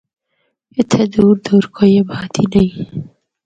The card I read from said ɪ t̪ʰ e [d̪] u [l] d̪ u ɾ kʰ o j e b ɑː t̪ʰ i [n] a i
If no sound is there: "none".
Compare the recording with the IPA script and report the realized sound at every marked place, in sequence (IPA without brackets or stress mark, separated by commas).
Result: d̪, ɾ, n